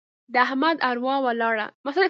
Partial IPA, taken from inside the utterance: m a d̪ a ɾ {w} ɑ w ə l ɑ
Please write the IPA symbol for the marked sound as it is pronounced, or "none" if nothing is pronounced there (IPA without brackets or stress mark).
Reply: w